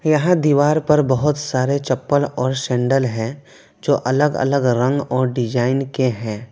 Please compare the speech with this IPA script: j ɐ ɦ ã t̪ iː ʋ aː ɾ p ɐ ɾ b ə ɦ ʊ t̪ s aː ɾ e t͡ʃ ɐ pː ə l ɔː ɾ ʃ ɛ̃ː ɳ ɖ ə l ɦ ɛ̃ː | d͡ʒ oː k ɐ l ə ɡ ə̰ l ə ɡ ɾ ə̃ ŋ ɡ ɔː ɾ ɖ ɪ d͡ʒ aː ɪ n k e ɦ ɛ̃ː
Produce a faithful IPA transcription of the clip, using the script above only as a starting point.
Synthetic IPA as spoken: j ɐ ɦ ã d̪ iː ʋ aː ɾ p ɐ ɾ b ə ɦ ʊ t̪ s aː ɾ e t͡ʃ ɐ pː ə l ɔː ɾ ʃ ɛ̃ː ɳ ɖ ə l ɦ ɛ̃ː | d͡ʒ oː ʔ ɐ l ə ɡ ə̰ l ə ɡ ɾ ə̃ ŋ ɡ ɔː ɾ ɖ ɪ d͡ʒ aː ɪ n k e ɦ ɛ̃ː